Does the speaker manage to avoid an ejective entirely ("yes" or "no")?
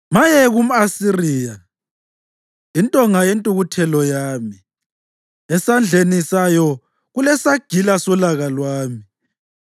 no